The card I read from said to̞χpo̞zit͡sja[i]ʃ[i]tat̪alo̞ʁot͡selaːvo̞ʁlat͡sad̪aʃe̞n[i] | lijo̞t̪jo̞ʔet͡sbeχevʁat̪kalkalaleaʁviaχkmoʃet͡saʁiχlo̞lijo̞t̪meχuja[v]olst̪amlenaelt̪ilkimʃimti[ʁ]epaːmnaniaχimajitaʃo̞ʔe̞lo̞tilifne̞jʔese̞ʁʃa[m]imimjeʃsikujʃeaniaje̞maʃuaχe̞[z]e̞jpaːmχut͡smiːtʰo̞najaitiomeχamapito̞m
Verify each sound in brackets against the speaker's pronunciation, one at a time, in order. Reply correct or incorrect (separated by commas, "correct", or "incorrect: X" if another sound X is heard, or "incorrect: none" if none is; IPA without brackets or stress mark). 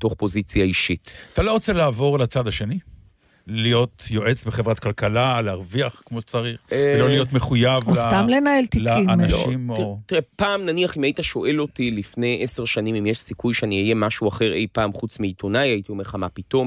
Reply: correct, correct, correct, correct, correct, incorrect: n, incorrect: ʁ